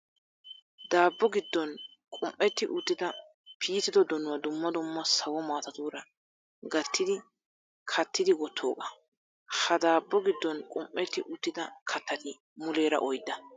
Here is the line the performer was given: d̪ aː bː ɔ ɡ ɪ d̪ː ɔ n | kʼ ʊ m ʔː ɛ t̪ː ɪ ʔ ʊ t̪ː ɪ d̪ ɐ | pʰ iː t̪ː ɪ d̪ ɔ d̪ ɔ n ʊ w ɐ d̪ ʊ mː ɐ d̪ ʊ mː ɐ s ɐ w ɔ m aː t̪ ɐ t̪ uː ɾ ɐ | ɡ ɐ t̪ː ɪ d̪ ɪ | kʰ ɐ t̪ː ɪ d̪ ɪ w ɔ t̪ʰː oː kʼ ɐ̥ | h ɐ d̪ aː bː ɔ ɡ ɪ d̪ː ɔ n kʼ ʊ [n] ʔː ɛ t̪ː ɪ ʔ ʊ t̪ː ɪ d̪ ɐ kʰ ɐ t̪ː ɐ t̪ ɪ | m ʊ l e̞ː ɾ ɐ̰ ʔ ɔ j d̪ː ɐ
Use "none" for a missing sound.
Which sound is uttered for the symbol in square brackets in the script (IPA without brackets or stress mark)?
m